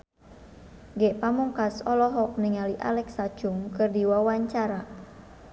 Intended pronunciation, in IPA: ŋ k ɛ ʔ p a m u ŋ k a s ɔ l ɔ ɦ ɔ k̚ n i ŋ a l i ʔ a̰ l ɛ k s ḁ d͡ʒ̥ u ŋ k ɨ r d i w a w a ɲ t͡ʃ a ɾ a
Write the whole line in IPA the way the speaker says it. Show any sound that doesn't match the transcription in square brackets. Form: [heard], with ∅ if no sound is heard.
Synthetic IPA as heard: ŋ [ɡ] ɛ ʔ p a m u ŋ k a s ɔ l ɔ ɦ ɔ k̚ n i ŋ a l i ʔ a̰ l ɛ k s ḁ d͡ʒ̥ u ŋ k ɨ r d i w a w a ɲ t͡ʃ a ɾ a